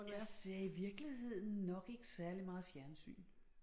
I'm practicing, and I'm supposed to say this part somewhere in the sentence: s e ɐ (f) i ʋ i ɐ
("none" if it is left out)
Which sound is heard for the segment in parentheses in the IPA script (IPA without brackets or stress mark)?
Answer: none